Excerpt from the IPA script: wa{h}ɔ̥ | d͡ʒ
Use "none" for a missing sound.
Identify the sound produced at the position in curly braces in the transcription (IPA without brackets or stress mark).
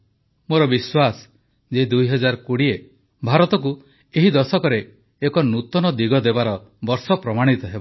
s